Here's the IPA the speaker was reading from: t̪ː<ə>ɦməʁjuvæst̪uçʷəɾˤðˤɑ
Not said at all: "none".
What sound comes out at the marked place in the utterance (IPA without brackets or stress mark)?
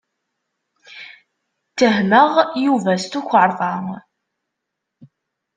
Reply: ə